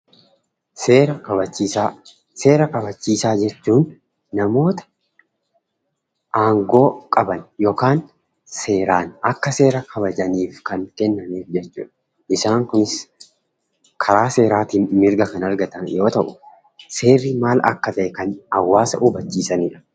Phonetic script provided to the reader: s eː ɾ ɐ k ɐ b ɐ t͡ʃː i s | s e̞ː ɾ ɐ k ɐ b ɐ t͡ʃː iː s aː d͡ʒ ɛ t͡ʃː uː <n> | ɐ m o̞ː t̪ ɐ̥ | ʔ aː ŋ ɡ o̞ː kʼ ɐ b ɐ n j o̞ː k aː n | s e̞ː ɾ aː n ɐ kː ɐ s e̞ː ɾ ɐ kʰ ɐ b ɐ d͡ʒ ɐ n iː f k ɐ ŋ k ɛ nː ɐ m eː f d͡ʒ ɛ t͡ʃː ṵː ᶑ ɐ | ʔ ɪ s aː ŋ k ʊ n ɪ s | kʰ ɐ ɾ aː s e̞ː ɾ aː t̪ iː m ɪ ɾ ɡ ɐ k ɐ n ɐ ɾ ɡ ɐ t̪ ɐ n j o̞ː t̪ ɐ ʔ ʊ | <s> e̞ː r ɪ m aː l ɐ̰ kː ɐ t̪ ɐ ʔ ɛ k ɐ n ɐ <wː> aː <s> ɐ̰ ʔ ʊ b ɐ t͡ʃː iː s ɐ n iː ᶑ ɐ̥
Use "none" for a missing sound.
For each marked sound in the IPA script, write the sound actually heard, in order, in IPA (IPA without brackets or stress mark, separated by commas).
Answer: nː, s, wː, s